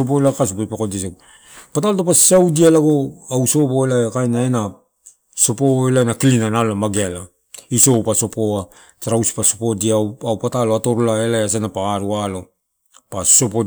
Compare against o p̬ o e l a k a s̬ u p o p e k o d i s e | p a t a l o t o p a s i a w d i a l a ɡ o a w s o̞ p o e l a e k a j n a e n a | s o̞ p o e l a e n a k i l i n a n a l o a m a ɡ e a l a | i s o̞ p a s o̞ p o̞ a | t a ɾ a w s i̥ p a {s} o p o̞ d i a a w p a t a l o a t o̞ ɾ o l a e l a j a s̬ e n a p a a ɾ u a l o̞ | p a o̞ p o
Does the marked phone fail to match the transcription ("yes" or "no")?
no